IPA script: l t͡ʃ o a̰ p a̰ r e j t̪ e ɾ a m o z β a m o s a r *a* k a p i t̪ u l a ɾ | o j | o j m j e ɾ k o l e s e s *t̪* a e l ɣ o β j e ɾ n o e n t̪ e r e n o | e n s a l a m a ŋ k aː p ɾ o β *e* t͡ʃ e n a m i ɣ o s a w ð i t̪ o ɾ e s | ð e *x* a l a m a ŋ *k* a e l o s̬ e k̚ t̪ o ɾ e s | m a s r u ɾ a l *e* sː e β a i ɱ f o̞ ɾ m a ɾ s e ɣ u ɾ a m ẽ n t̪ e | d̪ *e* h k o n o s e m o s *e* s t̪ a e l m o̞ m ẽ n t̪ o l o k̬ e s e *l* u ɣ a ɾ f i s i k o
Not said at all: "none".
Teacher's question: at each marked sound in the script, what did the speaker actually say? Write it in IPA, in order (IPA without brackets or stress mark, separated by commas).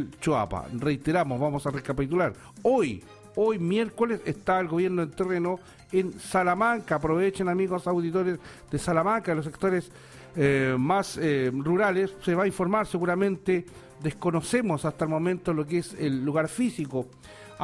e, t̪, e, s, k, e, e, a, lː